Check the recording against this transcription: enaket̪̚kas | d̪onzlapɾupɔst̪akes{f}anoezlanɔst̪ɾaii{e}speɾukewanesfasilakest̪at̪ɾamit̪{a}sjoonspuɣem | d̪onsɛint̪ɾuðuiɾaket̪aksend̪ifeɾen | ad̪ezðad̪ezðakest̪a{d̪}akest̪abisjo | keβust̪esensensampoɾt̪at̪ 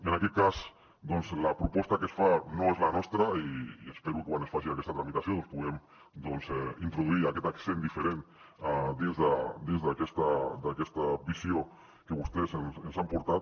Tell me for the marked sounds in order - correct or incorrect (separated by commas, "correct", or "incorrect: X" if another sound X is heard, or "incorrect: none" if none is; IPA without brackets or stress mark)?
correct, correct, correct, correct